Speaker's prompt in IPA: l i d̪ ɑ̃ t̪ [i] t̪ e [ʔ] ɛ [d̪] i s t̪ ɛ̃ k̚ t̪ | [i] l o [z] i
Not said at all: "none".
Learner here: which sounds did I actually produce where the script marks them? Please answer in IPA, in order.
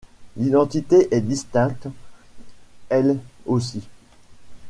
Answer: i, ʔ, d̪, ɛ, s

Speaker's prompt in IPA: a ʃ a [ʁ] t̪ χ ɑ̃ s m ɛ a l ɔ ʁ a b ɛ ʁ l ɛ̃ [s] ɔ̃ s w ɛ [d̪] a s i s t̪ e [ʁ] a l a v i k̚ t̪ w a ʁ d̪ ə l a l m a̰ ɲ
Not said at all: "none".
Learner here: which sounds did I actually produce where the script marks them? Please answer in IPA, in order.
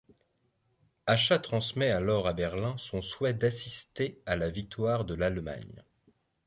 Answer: none, s, d̪, none

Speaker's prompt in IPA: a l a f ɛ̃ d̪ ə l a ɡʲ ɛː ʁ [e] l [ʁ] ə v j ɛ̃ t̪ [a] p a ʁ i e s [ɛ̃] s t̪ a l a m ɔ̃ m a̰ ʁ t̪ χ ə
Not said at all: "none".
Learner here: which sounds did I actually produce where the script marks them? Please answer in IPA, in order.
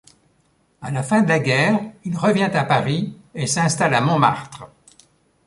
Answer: i, ʁ, a, ɛ̃

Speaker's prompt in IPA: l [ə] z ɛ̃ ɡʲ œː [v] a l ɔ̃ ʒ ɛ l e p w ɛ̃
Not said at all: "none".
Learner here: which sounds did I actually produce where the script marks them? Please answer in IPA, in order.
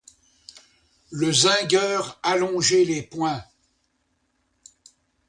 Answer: ə, ʁ

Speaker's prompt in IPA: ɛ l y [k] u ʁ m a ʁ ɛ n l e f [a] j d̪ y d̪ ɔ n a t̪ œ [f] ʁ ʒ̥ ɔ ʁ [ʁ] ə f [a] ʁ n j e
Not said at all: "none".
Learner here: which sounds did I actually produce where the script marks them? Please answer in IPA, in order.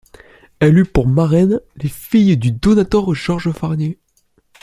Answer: p, i, none, ʒ, a

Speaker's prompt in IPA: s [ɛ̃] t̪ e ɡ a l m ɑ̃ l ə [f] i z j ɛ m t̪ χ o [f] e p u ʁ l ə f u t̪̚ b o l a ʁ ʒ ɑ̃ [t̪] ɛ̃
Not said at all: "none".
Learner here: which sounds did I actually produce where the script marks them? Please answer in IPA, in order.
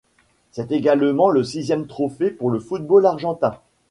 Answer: ɛ, s, f, t̪

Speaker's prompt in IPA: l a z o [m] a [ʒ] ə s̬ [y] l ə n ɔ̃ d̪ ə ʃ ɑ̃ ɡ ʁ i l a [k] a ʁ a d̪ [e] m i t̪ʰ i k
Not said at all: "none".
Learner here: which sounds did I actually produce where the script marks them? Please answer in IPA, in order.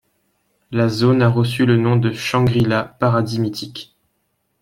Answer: n, ʁ, y, p, i

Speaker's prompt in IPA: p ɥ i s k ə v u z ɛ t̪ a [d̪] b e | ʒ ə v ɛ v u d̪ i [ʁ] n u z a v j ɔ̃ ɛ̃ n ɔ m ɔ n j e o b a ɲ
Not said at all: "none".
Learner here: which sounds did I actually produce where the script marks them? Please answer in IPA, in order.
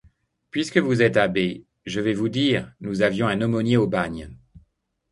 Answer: none, ʁ

